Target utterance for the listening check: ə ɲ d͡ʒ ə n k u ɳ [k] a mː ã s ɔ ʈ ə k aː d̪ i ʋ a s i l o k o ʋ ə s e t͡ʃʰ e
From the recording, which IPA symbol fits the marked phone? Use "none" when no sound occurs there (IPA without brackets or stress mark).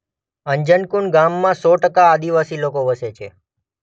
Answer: ɡ